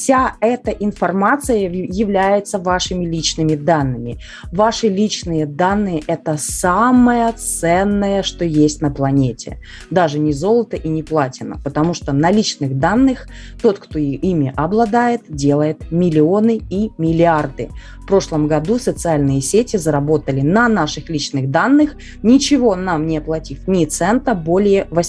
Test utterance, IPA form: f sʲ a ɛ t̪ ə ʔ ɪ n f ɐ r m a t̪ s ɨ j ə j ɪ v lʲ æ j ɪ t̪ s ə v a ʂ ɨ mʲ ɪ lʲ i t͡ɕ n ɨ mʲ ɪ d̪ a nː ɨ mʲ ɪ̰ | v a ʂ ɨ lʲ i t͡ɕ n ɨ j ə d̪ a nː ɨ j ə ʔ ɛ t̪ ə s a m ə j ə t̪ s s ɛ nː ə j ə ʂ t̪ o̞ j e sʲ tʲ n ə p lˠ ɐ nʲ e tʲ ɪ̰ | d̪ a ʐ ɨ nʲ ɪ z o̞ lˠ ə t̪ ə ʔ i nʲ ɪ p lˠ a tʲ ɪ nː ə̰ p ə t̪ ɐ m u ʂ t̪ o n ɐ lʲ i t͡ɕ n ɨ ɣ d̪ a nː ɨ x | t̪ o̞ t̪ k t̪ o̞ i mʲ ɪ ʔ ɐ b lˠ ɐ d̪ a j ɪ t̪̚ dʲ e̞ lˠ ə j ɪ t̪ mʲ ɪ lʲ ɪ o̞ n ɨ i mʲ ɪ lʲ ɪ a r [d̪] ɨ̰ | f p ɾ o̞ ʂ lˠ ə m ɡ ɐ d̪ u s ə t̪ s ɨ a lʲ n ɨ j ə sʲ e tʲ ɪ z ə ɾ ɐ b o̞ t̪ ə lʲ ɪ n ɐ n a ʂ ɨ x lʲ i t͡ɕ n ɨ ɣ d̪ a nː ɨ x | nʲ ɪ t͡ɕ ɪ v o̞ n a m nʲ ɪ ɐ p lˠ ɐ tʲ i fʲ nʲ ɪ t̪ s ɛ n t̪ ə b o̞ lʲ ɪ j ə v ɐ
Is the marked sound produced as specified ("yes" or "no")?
yes